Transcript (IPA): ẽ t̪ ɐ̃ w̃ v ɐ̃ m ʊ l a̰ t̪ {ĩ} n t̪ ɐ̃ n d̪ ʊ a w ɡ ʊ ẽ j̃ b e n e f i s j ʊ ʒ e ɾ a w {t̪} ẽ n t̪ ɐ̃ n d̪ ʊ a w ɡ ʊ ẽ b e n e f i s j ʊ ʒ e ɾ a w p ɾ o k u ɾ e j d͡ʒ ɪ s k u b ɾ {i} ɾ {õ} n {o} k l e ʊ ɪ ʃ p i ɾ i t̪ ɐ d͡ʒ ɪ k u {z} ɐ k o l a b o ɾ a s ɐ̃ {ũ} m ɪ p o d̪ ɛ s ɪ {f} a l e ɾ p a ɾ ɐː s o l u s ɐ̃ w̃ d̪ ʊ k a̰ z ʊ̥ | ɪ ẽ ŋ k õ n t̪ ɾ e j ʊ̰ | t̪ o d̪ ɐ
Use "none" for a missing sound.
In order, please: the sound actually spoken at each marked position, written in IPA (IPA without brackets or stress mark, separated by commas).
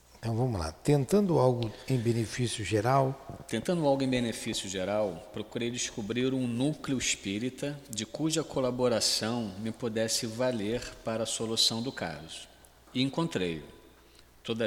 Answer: ẽ, t̪, i, ũ, u, ʒ, w̃, v